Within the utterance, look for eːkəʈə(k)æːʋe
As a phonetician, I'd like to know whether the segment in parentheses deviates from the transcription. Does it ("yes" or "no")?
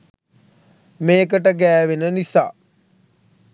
yes